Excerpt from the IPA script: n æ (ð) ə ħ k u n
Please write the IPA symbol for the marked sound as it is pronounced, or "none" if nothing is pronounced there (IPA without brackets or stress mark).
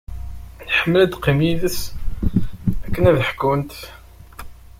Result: ð